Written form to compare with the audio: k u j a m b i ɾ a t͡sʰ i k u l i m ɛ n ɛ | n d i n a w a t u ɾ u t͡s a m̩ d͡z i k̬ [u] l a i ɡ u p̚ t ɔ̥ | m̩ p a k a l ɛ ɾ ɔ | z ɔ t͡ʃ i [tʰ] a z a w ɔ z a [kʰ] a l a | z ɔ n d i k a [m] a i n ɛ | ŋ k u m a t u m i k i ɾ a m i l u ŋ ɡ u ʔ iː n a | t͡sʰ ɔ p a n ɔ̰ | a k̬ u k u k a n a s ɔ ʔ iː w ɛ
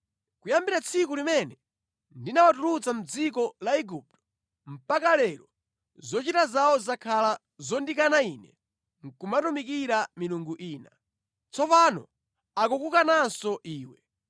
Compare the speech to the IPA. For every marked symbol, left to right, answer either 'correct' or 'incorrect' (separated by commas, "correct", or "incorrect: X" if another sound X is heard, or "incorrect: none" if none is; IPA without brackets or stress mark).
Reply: incorrect: ɔ, incorrect: t, correct, incorrect: n